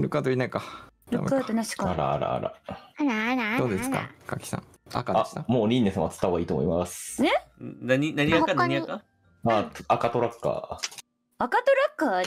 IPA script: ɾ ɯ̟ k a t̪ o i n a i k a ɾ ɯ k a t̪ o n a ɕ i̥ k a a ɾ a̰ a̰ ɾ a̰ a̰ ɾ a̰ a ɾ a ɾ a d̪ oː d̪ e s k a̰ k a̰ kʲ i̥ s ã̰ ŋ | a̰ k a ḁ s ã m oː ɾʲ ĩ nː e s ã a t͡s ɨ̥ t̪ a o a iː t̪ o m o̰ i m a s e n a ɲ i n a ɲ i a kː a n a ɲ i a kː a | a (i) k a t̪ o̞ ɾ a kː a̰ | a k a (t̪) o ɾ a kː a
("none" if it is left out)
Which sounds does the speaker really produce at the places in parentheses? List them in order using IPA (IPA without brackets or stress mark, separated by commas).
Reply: a, t̪